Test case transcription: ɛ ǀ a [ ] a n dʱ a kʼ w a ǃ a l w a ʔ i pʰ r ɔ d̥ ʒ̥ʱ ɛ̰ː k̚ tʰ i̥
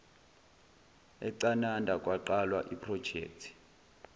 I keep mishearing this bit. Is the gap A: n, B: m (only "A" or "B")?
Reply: A